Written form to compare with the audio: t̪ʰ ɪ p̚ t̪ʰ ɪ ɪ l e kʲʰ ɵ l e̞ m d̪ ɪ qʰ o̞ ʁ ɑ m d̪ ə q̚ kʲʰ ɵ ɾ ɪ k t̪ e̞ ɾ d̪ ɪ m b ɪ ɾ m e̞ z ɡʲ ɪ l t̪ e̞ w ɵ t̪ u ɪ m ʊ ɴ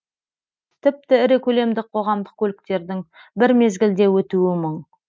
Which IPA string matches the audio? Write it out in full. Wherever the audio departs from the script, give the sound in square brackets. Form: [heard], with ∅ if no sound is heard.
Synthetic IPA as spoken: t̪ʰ ɪ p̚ [t̪] ɪ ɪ [ɾ] e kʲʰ ɵ l e̞ m d̪ ɪ qʰ o̞ ʁ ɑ m d̪ ə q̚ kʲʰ ɵ [l] ɪ k t̪ e̞ ɾ d̪ ɪ [ŋ] b ɪ ɾ m e̞ z ɡʲ ɪ l [d̪] e̞ w ɵ t̪ u ɪ m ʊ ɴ